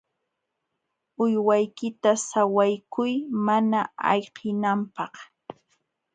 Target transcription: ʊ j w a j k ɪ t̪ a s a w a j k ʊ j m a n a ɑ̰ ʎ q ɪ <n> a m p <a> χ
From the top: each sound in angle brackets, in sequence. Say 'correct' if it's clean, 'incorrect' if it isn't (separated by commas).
correct, incorrect